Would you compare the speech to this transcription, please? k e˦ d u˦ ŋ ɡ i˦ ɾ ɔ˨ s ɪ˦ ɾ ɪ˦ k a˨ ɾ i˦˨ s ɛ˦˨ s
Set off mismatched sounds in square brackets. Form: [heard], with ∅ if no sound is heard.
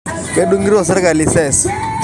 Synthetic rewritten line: k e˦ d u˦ ŋ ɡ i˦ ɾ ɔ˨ s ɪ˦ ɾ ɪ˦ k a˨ [l] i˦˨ s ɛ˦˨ s